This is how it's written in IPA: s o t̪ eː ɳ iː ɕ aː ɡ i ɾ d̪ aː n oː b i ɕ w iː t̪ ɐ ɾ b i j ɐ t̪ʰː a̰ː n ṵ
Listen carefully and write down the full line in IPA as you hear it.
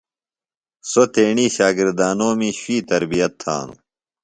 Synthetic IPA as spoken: s o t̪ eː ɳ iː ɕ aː ɡ i ɾ d̪ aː n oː m i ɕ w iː t̪ ɐ ɾ b i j ɐ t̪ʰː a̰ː n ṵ